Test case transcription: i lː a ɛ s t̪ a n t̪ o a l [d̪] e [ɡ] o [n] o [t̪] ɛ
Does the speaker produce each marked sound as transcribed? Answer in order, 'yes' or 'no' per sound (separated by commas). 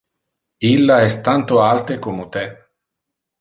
no, no, no, yes